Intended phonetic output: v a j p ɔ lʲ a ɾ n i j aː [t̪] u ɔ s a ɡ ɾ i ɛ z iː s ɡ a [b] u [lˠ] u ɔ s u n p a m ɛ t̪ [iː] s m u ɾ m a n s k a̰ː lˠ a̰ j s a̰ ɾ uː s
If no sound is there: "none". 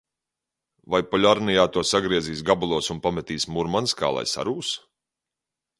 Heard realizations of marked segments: t̪, b, lˠ, iː

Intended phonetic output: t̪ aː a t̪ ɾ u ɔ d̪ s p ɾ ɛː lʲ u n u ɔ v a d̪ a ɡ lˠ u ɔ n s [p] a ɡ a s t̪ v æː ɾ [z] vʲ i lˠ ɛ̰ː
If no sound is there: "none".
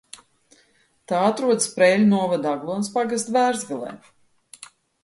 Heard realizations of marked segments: p, z

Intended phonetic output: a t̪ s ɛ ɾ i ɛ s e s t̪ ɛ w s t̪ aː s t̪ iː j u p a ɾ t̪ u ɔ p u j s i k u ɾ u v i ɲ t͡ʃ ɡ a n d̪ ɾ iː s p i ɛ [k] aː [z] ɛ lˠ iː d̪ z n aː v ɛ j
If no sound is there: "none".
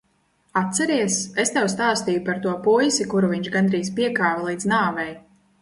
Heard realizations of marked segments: k, v

